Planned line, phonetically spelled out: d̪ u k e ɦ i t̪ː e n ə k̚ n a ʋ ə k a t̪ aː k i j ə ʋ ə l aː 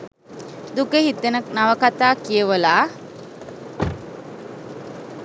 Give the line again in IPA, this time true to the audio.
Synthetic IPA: d̪ u k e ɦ i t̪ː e n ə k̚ n a ʋ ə k a t̪ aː k i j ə ʋ ə l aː

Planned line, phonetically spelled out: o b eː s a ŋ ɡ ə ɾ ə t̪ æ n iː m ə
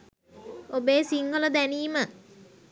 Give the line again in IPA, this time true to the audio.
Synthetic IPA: o b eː s i ŋ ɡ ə l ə d̪ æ n iː m ə

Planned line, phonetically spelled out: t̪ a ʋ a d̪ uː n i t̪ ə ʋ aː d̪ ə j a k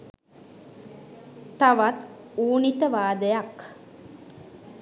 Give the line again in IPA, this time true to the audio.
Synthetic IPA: t̪ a ʋ a t̪ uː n i t̪ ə ʋ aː d̪ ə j a k

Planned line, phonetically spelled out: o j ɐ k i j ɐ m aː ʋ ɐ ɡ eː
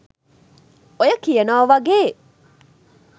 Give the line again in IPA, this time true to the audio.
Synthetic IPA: o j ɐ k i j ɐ n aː ʋ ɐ ɡ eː

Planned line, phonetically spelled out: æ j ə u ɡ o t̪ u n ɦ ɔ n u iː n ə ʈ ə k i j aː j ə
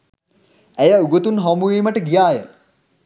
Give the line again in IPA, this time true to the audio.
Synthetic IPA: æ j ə u ɡ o t̪ u n ɦ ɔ m u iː m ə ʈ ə ɡ i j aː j ə

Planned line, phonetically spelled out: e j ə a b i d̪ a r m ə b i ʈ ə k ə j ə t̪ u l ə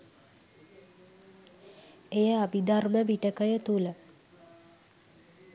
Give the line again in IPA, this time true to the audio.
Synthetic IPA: e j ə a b i d̪ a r m ə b i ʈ ə k ə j ə t̪ u l ə

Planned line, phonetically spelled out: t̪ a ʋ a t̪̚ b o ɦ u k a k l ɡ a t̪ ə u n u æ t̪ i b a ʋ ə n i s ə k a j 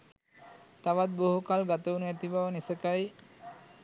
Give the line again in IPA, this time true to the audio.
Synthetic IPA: t̪ a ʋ a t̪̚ b o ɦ u k a l ɡ a t̪ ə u n u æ t̪ i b a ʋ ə n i s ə k a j

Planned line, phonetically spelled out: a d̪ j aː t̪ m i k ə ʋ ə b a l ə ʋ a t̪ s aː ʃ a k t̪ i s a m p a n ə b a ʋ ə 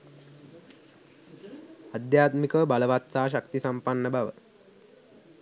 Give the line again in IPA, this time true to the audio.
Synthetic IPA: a d̪ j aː t̪ m i k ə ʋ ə b a l ə ʋ a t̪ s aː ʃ a k t̪ i s a m p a nː ə b a ʋ ə

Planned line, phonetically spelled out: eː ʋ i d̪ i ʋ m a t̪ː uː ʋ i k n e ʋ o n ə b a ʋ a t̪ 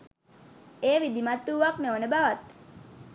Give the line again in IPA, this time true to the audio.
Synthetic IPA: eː ʋ i d̪ i m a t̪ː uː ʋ a k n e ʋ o n ə b a ʋ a t̪

